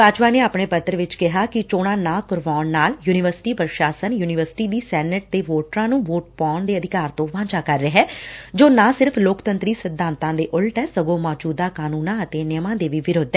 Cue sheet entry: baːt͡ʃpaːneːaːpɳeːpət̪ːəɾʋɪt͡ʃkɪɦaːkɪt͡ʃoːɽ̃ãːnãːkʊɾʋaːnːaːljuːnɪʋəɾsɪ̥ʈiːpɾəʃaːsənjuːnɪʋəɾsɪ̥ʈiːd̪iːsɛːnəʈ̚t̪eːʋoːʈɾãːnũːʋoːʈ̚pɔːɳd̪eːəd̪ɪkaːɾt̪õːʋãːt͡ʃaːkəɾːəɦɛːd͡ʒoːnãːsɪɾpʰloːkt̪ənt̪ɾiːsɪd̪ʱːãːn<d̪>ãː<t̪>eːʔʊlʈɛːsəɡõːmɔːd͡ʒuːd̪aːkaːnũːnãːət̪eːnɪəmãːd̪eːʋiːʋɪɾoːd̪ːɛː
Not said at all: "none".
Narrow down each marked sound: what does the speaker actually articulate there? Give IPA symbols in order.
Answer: t̪, d̪

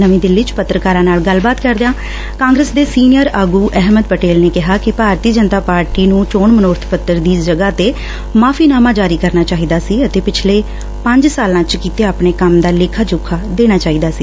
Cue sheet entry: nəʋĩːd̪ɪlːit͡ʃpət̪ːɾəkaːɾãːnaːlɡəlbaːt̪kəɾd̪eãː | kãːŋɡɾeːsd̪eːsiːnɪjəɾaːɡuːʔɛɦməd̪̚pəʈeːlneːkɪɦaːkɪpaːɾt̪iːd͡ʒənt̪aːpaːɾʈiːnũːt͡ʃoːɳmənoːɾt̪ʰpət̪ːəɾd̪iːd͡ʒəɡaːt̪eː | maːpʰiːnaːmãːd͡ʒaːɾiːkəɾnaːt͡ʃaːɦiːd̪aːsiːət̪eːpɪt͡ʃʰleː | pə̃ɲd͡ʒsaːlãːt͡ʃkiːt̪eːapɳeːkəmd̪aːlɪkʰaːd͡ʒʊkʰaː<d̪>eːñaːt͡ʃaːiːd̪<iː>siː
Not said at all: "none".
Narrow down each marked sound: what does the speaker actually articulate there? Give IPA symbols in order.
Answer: d̪, aː

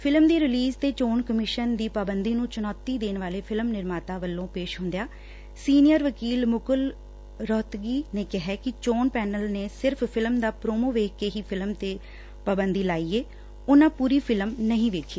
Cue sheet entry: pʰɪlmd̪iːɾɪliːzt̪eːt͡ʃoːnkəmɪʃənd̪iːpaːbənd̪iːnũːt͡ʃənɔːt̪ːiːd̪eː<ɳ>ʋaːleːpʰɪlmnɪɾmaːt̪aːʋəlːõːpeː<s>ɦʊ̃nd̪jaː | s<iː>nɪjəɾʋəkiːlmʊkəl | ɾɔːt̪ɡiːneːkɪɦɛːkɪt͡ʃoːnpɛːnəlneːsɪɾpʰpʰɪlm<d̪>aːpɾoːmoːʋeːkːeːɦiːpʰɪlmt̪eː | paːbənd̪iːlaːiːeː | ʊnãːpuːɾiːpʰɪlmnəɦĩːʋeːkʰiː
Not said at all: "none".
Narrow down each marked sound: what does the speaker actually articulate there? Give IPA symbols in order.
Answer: n, ʃ, iː, d̪

